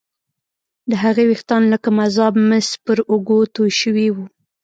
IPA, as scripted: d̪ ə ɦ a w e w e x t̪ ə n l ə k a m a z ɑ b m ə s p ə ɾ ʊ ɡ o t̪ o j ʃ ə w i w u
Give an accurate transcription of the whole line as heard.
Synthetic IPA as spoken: d̪ ə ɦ a ɣ e w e x t̪ ɑ n l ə k a m a z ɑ b m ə s p ə ɾ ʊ ɡ o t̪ o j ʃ ə w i w u